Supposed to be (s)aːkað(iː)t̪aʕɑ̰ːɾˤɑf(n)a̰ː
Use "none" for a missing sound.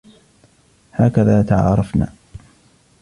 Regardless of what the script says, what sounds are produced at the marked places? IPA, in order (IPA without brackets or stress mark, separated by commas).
h, aː, n